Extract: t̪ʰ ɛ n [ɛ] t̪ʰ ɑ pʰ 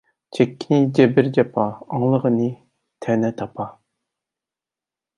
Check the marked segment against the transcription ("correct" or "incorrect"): correct